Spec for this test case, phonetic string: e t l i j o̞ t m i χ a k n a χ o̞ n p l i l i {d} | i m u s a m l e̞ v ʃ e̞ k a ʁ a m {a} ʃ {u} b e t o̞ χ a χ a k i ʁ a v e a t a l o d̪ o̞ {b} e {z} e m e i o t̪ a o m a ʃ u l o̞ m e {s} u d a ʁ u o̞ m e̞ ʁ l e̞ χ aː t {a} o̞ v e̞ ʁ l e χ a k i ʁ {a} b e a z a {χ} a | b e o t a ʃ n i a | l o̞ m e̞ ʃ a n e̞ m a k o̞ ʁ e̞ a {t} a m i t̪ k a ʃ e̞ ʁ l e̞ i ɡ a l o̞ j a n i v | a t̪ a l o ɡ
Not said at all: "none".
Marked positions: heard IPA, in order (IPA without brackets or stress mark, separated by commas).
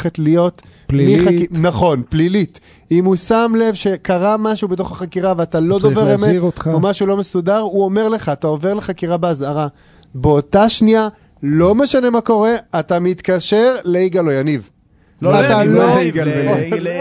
t, a, u, v, ʁ, s, a, a, ʁ, t